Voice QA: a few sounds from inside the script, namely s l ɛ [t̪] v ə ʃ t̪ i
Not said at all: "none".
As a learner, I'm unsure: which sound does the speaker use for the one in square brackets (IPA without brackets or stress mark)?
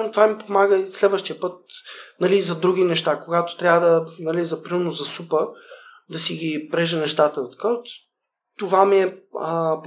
d̪